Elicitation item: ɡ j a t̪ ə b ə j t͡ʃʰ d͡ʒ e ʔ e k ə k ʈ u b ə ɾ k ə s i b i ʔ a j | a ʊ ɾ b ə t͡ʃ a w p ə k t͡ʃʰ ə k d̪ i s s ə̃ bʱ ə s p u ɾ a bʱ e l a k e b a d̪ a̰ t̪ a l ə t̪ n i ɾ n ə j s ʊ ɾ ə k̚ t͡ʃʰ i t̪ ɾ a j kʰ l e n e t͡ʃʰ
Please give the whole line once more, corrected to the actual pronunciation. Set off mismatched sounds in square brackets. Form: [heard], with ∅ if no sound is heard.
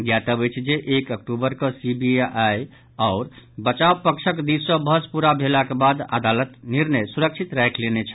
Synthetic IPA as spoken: ɡ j a t̪ ə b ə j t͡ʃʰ d͡ʒ e ʔ e k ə k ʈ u b ə ɾ k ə s i b i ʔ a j | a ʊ ɾ b ə t͡ʃ a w p ə k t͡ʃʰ ə k d̪ i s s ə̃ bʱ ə s p u ɾ a bʱ e l a k e b a d̪ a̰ [d̪] a l ə t̪ n i ɾ n ə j s [u] ɾ ə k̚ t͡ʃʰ i t̪ ɾ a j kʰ l e n e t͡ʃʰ

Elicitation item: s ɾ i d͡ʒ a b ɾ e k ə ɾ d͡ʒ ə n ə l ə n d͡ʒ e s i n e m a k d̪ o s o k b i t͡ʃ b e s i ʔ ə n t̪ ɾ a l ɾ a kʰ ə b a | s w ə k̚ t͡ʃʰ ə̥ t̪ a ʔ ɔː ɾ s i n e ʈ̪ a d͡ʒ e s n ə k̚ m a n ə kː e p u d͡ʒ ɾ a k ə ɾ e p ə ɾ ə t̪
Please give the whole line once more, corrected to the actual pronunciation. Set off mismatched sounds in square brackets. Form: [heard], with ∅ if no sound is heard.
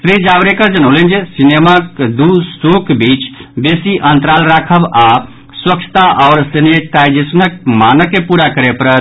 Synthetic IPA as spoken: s ɾ i d͡ʒ a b ɾ e k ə ɾ d͡ʒ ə n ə l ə n d͡ʒ e s i n e m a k d̪ [u] s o k b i t͡ʃ b e s i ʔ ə n t̪ ɾ a l ɾ a kʰ ə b a | s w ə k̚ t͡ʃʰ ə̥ t̪ a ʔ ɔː ɾ s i n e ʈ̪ a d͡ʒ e s n ə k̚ m a n ə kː e p u [∅] ɾ a k ə ɾ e p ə ɾ ə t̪

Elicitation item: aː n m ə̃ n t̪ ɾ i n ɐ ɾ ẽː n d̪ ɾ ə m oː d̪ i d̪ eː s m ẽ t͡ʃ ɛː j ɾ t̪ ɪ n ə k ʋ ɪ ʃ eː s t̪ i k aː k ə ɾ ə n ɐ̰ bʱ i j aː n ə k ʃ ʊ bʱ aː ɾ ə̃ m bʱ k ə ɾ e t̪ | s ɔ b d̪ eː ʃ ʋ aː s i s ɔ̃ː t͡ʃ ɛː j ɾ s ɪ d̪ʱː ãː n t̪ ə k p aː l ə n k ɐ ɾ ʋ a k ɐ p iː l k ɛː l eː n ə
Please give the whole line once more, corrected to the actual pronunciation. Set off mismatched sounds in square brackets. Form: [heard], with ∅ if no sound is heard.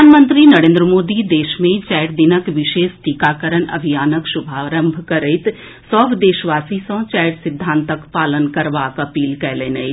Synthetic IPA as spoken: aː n m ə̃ n t̪ ɾ i n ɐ ɾ ẽː n d̪ ɾ ə m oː d̪ i d̪ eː [ʃ] m ẽ t͡ʃ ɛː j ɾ [d̪] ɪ n ə k ʋ ɪ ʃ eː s t̪ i k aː k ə ɾ ə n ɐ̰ bʱ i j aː n ə k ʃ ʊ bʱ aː ɾ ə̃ m bʱ k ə ɾ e t̪ | s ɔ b d̪ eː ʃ ʋ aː s i s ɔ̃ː t͡ʃ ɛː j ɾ s ɪ d̪ʱː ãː n t̪ ə k p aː l ə n k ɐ ɾ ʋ a k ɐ p iː l k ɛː l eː n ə

